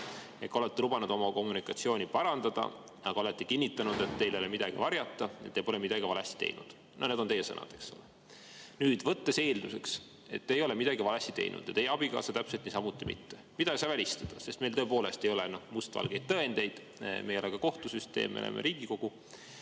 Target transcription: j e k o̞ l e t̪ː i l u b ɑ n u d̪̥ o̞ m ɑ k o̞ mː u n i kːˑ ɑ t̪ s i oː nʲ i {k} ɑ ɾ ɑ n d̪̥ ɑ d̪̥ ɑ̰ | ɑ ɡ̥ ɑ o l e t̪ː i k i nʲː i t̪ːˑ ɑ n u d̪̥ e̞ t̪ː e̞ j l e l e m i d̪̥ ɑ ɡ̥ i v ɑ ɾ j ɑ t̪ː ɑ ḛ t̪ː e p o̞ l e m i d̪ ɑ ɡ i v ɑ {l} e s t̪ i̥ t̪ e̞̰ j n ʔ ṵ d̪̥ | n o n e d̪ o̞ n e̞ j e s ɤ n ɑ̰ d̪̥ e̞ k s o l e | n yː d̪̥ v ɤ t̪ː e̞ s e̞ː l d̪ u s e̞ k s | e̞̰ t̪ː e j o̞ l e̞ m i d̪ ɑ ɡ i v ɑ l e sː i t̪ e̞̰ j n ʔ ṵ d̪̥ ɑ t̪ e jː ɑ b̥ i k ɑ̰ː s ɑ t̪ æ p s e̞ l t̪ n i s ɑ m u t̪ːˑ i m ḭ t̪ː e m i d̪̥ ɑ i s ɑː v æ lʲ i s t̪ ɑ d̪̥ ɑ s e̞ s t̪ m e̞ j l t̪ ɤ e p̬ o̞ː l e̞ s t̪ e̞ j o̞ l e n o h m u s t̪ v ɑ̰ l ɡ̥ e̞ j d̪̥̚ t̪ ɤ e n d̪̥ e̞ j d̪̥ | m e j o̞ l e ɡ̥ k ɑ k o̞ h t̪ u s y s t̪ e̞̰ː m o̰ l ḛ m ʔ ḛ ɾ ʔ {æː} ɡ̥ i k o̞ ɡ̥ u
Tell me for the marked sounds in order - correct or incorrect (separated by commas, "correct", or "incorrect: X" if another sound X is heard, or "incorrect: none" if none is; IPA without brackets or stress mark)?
incorrect: p, correct, incorrect: iː